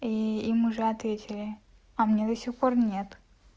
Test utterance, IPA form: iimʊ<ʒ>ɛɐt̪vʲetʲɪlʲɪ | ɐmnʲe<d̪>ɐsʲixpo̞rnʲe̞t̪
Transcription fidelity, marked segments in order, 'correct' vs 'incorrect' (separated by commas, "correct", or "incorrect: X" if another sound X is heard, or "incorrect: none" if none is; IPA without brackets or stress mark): incorrect: ʐ, correct